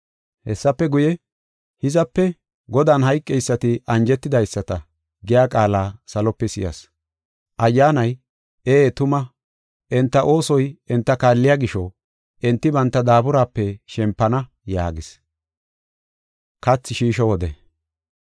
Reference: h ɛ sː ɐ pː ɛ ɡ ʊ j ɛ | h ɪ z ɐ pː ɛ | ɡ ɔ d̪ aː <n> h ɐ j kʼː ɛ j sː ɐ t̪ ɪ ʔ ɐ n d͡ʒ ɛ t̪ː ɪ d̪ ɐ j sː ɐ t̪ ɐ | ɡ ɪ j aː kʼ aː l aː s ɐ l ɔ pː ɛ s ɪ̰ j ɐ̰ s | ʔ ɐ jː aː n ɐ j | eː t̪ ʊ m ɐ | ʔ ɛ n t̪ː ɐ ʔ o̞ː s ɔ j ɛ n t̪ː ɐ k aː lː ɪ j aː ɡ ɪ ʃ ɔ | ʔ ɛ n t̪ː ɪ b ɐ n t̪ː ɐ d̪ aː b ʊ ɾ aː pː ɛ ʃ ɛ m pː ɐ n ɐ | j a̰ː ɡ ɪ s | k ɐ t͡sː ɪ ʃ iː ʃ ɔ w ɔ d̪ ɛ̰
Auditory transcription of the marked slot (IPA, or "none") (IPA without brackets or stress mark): n